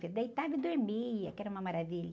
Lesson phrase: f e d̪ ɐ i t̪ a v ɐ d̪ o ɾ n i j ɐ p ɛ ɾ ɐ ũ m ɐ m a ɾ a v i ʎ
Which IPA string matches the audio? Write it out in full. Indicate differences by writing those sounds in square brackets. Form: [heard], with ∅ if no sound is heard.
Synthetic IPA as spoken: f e d̪ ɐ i t̪ a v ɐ d̪ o ɾ [m] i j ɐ [k] ɛ ɾ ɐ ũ m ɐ m a ɾ a v i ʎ